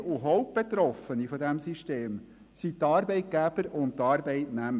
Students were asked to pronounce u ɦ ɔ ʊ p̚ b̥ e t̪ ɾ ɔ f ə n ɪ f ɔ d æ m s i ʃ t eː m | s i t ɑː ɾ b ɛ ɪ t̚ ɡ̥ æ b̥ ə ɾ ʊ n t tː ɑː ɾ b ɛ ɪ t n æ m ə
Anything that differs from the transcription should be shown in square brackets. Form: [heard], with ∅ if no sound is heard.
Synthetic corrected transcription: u ɦ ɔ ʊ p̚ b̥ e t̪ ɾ ɔ f ə n [i] f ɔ d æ m s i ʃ t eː m | s i t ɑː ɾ b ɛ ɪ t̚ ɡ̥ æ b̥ ə ɾ ʊ n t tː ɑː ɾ b ɛ ɪ t n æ m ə